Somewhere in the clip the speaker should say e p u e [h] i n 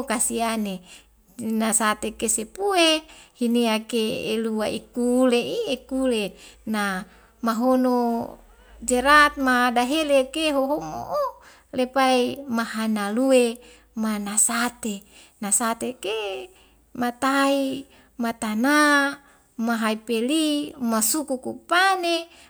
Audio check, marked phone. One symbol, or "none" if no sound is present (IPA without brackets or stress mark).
h